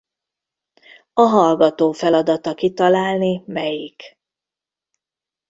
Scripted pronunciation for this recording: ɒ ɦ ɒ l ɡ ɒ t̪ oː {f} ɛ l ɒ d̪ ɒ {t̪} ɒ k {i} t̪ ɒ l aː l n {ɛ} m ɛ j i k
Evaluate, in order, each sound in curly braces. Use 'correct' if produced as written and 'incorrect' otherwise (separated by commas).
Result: correct, correct, correct, incorrect